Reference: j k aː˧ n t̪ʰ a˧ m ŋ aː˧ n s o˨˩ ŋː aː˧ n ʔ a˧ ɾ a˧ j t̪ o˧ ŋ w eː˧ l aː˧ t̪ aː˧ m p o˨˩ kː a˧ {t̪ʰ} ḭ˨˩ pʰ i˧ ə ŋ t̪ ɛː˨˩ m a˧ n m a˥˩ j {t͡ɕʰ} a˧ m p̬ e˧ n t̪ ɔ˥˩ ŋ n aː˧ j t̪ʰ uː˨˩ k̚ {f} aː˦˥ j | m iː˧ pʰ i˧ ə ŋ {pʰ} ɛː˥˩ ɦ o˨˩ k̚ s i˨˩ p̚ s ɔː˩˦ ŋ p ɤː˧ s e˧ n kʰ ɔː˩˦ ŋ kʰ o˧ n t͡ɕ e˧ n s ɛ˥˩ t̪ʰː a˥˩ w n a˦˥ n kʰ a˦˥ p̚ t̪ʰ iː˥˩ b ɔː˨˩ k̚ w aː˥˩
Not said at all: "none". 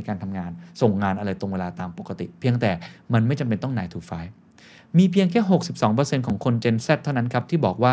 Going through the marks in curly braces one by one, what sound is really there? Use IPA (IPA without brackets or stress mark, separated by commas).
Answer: t̪, t͡ɕ, f, kʰ